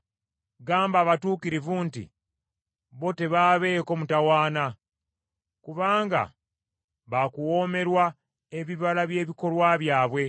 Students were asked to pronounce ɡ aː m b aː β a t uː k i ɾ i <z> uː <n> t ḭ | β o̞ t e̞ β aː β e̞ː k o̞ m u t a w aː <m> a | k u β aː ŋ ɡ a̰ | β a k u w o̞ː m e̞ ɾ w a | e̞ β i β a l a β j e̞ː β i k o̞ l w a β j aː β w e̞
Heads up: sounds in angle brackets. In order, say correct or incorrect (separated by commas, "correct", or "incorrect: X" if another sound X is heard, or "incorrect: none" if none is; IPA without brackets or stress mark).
incorrect: v, correct, incorrect: n